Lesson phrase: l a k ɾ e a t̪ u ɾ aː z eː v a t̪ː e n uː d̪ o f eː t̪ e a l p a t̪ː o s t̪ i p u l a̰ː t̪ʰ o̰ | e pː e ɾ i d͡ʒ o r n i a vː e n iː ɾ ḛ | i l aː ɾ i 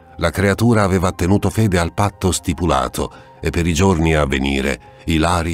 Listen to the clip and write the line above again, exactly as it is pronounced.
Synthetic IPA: l a k ɾ e a t̪ uː ɾ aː v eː v a t̪ː e n uː t̪ o f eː d̪ e a l p a t̪ː o s t̪ i p u l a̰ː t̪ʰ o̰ | e pː e ɾ i d͡ʒ o r n i a vː e n iː ɾ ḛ | i l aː ɾ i